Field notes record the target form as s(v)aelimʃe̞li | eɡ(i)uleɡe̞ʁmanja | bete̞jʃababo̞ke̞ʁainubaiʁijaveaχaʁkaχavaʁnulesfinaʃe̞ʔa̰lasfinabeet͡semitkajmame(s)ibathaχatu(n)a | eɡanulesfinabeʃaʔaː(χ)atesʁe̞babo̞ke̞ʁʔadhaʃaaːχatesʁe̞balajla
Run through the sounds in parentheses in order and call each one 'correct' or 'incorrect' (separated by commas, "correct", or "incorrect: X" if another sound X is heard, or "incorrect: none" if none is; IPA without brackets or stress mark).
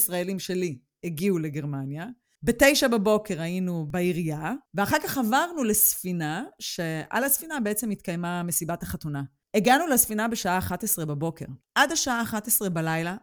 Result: incorrect: ʁ, correct, correct, correct, correct